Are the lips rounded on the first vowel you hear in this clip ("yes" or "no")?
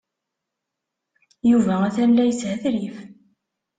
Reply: yes